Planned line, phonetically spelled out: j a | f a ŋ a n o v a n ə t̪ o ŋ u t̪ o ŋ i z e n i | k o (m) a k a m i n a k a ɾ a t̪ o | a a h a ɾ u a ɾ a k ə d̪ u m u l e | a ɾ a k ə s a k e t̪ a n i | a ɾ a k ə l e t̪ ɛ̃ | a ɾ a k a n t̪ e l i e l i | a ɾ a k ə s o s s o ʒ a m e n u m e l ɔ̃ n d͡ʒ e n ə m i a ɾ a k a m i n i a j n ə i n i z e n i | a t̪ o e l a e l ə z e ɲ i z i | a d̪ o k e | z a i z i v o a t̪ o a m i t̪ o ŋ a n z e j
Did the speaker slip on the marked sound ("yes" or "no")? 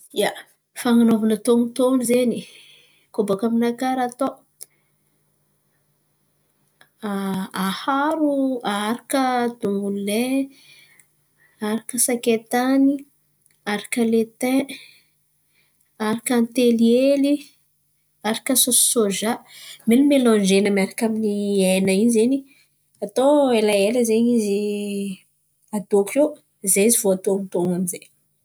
yes